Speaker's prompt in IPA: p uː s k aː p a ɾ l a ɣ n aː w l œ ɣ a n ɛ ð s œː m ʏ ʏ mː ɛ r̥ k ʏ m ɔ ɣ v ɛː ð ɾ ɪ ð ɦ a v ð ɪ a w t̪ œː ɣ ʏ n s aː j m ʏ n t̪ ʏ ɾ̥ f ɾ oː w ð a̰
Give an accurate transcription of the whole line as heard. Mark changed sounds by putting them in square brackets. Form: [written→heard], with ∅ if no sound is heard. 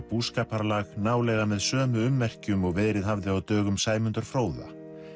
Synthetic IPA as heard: p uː s k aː p a ɾ l a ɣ n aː w l [œ→ɛ] ɣ a [n→m] ɛ ð s œː m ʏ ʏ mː ɛ r̥ [k→c] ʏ m ɔ ɣ v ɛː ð ɾ ɪ ð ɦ a v ð ɪ a w t̪ œː ɣ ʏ [n→m] s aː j m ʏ n t̪ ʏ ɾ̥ f ɾ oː w ð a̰